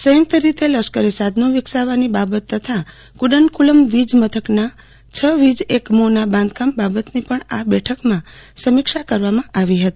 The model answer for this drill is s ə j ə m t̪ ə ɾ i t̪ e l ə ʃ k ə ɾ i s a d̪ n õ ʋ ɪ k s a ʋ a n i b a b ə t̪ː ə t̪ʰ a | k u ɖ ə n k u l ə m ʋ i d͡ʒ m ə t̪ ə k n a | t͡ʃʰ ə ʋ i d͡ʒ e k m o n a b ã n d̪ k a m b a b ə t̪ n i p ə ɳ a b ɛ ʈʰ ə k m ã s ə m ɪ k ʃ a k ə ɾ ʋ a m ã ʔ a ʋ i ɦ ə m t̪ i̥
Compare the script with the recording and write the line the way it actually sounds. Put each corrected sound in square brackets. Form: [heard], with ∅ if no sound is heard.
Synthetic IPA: s ə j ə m t̪ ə ɾ i t̪ e l ə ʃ k ə ɾ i s a d̪ n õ ʋ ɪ k s a ʋ a n i b a b ə t̪ː ə t̪ʰ a | k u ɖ ə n k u l ə m ʋ i d͡ʒ m ə [t̪ʰ] ə k n a | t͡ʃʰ ə ʋ i d͡ʒ e k m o n a b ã n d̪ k a m b a b ə t̪ n i p ə ɳ a b ɛ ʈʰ ə k m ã s ə m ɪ k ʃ a k ə ɾ ʋ a m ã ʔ a ʋ i ɦ ə [∅] t̪ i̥